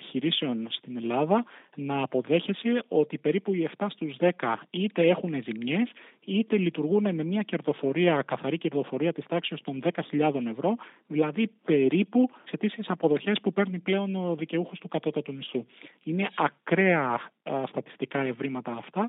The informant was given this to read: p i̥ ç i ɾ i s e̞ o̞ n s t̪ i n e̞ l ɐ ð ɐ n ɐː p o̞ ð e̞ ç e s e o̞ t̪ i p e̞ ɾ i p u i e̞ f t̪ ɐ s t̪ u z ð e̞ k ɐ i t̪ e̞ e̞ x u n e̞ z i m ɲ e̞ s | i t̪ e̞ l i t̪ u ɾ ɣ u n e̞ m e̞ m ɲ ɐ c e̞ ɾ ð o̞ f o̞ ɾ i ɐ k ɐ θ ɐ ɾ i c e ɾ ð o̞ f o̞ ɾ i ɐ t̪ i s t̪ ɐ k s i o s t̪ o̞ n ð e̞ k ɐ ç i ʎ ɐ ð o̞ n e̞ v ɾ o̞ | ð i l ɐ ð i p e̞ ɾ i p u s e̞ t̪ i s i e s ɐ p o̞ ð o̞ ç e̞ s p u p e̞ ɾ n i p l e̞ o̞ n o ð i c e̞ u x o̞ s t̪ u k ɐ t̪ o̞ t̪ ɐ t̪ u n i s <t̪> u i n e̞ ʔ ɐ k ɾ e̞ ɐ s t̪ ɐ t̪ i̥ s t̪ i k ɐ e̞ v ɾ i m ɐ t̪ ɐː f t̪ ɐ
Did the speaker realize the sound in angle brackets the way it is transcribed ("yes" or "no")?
yes